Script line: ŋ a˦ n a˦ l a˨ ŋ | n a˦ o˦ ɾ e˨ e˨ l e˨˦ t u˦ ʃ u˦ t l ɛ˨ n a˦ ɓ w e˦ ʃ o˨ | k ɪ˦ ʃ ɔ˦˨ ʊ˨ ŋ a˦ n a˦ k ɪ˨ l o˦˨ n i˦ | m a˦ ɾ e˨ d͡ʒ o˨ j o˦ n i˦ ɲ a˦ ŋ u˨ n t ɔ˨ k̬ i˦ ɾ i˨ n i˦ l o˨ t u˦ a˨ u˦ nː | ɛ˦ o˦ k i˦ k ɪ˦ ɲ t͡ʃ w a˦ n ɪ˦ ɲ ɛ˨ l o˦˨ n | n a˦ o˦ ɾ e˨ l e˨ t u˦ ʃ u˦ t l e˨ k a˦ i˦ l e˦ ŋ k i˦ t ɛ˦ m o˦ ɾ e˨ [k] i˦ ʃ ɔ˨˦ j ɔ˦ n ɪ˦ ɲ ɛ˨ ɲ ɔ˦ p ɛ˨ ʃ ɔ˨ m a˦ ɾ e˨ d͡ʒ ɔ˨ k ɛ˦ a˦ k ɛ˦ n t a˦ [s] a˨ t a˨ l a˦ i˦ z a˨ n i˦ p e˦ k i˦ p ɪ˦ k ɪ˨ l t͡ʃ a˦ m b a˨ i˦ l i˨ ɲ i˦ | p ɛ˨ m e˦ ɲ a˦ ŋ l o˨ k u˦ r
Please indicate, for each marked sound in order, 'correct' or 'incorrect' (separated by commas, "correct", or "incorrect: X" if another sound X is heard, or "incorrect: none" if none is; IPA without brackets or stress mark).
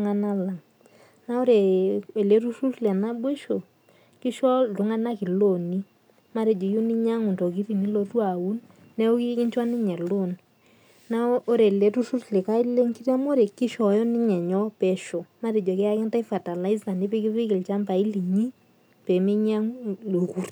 correct, incorrect: f